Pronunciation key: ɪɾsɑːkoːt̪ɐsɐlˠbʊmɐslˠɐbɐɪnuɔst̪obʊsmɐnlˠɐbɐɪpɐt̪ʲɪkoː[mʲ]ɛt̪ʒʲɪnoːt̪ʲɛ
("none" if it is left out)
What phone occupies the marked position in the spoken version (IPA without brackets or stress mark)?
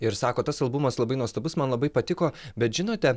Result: bʲ